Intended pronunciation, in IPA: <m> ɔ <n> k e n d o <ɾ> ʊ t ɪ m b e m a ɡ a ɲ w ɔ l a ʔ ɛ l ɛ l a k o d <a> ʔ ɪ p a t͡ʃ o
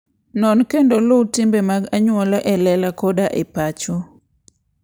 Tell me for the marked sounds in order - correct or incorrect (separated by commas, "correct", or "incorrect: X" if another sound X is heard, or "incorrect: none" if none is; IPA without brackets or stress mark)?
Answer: incorrect: n, correct, incorrect: l, correct